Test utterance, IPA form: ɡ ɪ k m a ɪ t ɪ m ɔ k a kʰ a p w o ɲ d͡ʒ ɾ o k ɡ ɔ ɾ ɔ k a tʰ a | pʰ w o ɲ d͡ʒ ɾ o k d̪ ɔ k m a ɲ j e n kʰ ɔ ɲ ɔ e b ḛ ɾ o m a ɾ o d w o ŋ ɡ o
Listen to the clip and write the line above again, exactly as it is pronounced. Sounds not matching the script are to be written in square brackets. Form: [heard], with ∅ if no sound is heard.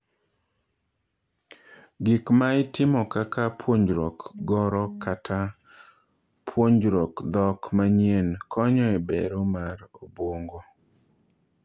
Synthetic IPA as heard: ɡ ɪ k m a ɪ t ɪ m ɔ k a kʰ a p w o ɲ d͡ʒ ɾ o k ɡ ɔ ɾ ɔ k a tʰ a | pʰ w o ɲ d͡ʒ ɾ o k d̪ ɔ k m a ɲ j e n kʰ ɔ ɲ ɔ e b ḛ ɾ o m a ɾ o [b] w o ŋ ɡ o